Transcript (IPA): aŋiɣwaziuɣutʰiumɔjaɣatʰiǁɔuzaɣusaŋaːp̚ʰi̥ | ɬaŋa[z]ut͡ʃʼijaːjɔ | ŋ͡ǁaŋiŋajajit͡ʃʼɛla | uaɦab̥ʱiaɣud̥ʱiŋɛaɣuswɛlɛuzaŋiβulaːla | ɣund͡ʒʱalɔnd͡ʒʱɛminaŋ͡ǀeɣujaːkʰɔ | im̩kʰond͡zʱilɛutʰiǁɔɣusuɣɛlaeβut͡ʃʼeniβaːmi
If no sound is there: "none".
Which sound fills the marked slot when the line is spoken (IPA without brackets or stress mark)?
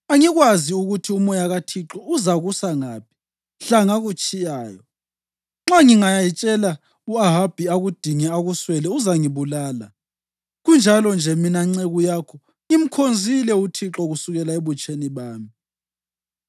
ɣ